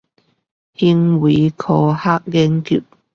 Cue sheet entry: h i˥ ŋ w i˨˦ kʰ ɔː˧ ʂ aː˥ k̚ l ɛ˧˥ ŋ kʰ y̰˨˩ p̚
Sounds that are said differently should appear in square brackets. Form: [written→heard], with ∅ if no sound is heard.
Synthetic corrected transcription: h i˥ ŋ w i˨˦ kʰ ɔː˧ [ʂ→h] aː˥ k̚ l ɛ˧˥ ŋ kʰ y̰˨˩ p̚